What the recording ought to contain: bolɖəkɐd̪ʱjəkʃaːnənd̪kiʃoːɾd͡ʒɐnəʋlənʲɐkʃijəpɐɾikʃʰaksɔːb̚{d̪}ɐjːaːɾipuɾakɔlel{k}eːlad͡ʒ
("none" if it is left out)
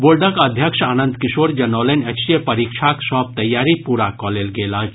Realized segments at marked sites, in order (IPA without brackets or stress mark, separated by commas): t̪, ɡ